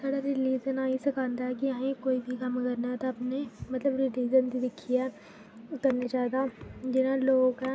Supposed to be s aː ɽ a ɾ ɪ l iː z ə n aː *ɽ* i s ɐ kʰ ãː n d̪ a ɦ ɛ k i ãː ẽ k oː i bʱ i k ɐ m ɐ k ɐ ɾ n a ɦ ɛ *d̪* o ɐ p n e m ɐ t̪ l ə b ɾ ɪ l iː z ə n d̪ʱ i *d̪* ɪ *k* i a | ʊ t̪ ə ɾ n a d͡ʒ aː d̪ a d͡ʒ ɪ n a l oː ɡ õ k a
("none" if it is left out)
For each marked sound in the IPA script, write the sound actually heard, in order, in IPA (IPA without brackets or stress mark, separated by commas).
none, t̪, d̪, kʰ